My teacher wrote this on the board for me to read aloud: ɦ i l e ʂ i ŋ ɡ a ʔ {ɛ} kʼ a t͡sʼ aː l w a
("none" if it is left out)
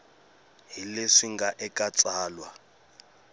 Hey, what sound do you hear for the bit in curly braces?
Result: ɛ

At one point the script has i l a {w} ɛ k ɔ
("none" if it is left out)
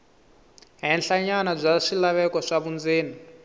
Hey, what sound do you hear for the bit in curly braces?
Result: β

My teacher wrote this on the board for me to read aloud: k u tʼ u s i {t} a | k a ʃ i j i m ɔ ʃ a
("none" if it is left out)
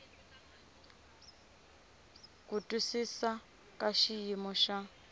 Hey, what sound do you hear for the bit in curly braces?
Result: s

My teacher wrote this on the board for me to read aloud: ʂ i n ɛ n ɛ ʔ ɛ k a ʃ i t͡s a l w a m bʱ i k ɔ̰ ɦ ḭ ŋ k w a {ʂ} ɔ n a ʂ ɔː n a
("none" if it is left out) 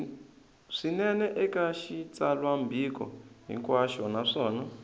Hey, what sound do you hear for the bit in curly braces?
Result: ʃ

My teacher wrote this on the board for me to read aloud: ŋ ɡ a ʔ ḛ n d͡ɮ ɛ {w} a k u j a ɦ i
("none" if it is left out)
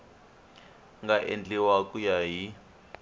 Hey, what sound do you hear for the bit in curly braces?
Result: w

